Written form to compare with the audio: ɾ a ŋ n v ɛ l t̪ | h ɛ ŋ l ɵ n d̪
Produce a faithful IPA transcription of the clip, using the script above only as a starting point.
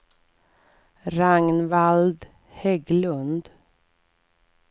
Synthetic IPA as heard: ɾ a ŋ n v a l d̪ | h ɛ ɡ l ɵ n d̪